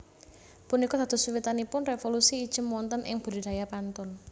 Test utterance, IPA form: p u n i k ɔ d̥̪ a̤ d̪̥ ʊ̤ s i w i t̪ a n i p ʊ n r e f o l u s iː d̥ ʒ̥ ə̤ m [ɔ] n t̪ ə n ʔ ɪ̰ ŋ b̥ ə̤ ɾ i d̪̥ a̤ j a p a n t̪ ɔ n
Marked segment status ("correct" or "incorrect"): correct